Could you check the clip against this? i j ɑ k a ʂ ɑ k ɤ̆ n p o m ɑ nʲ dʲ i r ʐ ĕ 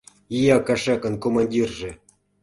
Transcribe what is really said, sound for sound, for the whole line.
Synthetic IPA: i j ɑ k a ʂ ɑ k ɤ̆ n k o m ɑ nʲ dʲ i r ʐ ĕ